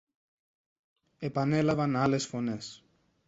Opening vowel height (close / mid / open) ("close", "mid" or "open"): mid